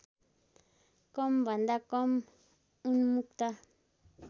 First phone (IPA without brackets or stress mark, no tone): k